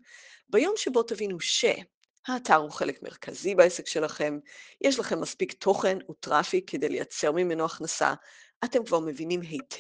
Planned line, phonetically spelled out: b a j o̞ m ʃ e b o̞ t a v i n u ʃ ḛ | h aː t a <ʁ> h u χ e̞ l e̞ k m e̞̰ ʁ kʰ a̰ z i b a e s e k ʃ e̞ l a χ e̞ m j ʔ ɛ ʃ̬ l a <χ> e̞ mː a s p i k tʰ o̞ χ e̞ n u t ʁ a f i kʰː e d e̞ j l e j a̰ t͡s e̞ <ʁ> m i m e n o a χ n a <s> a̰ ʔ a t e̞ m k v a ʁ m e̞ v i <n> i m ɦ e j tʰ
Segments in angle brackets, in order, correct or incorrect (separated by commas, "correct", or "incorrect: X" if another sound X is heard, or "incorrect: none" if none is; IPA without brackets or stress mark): correct, correct, correct, correct, correct